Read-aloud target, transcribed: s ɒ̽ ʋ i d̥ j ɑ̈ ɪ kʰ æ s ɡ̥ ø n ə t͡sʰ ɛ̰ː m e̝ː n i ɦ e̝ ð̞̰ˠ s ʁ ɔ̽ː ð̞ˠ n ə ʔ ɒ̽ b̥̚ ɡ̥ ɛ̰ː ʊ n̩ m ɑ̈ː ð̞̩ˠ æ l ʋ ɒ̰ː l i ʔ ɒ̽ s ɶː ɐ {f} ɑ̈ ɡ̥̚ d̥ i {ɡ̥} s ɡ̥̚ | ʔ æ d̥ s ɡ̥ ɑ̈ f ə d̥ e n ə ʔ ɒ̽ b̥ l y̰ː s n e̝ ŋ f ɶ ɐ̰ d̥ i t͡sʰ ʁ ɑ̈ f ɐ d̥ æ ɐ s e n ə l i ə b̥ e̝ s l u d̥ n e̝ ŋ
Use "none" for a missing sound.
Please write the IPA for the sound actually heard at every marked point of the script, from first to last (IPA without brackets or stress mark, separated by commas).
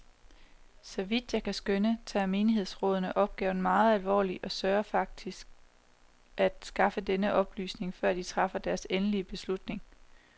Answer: f, none